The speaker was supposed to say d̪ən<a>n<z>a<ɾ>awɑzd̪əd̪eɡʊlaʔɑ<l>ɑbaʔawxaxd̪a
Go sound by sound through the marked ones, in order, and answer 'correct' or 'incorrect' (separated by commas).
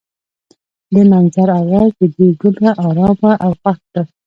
correct, correct, correct, incorrect